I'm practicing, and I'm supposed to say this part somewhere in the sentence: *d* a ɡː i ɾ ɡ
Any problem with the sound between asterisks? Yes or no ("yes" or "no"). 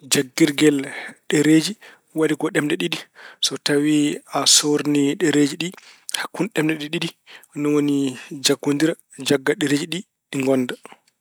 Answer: yes